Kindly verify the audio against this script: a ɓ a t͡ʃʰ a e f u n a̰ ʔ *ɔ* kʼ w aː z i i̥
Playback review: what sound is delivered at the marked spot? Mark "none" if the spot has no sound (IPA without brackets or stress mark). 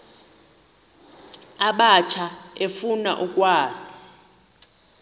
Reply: u